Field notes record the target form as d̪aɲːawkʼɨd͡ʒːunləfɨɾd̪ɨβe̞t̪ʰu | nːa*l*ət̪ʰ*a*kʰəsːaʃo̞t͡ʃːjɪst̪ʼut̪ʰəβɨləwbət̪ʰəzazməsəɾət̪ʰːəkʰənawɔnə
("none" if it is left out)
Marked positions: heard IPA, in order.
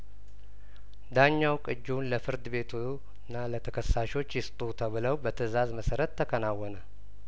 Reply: l, ə

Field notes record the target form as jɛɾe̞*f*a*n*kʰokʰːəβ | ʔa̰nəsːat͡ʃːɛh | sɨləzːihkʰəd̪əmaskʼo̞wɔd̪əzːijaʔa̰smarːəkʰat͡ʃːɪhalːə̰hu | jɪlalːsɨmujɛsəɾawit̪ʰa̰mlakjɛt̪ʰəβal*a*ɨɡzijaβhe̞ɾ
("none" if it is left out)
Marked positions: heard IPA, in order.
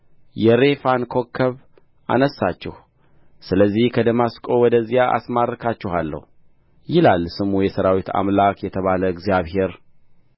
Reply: f, n, ə

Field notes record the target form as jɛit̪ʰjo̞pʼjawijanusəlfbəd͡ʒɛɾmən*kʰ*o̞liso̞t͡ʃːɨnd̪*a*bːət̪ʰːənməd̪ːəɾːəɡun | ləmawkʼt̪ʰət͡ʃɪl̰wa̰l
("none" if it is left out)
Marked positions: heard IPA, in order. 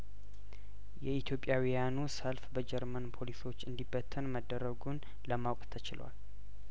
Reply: pʰ, i

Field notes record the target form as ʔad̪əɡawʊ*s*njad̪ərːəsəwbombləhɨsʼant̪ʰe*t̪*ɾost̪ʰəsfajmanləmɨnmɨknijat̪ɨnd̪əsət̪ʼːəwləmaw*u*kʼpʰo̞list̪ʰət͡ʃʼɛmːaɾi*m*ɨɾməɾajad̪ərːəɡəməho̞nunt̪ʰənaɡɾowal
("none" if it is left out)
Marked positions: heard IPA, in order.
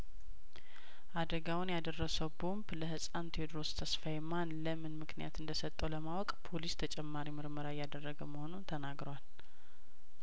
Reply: none, d̪, ɔ, m

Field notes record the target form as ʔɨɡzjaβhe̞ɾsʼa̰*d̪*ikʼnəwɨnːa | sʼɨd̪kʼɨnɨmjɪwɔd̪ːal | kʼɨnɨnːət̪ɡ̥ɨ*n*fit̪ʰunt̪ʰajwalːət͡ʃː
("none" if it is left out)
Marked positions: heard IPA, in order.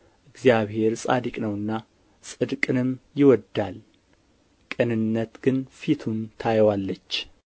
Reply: d̪, n

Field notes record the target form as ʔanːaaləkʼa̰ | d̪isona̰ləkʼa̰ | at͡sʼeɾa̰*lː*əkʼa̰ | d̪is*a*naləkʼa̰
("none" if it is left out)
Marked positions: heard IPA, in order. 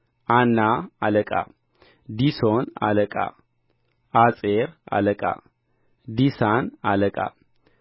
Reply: l, a

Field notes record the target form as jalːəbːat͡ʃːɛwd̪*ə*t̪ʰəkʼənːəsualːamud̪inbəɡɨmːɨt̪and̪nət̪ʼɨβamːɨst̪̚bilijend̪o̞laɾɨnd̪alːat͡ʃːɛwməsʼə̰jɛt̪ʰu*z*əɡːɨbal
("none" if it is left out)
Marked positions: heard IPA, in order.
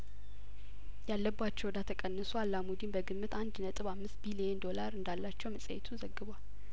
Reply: a, z

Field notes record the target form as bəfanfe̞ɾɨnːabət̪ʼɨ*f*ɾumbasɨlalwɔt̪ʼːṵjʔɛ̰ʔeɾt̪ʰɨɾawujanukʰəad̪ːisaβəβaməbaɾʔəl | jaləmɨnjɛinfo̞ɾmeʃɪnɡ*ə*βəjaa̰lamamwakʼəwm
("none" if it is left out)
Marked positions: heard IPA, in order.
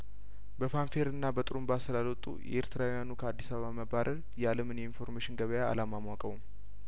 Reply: none, ə

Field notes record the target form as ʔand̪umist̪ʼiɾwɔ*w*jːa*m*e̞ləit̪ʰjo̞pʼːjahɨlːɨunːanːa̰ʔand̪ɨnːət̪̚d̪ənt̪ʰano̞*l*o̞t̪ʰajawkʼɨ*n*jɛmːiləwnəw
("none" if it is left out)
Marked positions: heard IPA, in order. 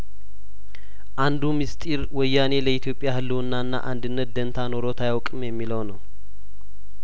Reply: none, n, ɾ, m

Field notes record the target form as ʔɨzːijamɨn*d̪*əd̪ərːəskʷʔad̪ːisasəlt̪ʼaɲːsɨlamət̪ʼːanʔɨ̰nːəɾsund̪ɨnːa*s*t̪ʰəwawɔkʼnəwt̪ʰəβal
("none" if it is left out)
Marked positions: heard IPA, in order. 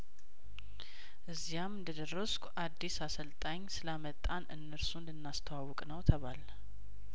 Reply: d̪, s

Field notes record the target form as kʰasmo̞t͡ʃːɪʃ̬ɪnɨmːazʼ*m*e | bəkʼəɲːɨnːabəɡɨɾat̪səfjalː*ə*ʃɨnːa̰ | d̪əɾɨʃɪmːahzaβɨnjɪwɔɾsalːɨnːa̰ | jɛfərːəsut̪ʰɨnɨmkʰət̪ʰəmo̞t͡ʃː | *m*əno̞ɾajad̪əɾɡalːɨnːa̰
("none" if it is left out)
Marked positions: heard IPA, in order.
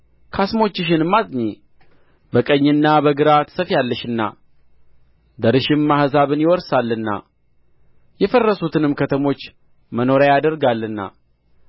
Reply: ɲ, ə, m

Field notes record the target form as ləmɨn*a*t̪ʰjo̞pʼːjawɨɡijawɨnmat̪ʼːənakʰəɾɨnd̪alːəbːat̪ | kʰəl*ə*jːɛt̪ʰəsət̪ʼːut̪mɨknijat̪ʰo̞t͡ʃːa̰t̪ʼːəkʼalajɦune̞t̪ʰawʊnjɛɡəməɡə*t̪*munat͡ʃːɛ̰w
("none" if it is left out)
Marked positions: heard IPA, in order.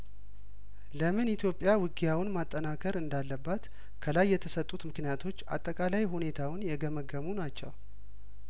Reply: i, a, none

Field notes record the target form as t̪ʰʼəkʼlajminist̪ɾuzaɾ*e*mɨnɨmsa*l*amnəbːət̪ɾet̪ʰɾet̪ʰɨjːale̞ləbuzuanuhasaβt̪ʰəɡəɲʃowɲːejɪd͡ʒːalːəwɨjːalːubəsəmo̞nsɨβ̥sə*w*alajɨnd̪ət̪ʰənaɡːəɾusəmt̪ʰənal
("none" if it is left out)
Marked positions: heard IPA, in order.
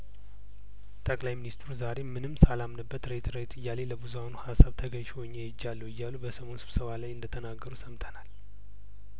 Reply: e, l, β

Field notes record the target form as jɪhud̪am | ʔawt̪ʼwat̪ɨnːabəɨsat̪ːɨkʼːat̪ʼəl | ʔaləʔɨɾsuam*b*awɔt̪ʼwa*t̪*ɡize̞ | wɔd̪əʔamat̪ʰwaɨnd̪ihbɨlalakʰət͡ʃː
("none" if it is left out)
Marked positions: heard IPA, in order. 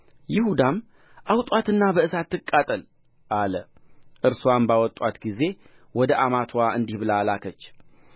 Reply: b, t̪

